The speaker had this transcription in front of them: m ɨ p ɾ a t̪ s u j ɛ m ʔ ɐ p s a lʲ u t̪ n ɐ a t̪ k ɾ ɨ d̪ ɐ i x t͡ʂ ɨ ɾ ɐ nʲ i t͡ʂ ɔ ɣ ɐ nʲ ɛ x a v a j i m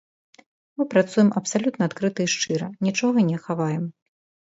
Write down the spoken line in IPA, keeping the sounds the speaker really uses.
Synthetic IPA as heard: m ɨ p ɾ a t̪ s u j ɛ m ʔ ɐ p s a lʲ u t̪ n ɐ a t̪ k ɾ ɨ t̪ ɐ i ʂ t͡ʂ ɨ ɾ ɐ nʲ i t͡ʂ ɔ ɣ ɐ nʲ ɛ x a v a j ɛ m

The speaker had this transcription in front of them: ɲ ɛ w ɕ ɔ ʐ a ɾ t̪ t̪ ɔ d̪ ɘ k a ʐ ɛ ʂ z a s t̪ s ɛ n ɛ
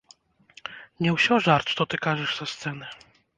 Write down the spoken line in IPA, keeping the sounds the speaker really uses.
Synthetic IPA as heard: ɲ ɛ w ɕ ɔ ʐ a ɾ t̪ t̪ ɔ t̪ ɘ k a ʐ ɛ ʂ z a s t̪ s ɛ n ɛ

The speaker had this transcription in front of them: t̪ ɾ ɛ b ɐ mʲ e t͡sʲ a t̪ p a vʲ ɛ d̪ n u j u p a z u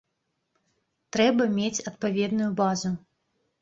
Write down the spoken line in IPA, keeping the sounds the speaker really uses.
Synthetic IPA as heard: t̪ ɾ ɛ b ɐ mʲ e t͡sʲ ɐ t̪ p a vʲ ɛ d̪ n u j u b a z u

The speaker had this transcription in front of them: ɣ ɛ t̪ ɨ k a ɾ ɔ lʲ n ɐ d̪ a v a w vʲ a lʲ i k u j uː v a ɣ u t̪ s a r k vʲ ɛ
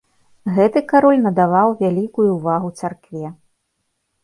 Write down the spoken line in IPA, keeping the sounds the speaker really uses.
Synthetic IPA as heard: ɣ ɛ t̪ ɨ k a ɾ ɔ lʲ n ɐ d̪ a v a w vʲ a lʲ i k u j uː v a ɣ u t̪ s a r k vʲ ɛ

